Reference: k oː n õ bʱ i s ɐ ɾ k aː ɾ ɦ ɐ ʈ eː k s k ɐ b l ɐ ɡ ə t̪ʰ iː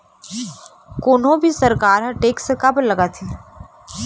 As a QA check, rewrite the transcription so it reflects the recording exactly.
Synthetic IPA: k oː n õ bʱ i s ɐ ɾ k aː ɾ ɦ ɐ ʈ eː k s k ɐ b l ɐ ɡ a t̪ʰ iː